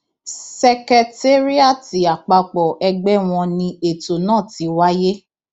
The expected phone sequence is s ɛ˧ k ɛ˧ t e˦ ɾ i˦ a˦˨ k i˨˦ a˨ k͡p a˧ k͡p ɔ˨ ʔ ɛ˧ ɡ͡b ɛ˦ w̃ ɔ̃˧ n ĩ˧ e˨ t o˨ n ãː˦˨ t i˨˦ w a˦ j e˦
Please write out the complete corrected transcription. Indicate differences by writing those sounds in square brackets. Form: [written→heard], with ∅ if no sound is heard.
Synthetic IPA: s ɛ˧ k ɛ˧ t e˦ ɾ i˦ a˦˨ [k→t] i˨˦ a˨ k͡p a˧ k͡p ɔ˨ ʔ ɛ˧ ɡ͡b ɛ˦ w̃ ɔ̃˧ n ĩ˧ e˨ t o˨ n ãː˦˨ t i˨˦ w a˦ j e˦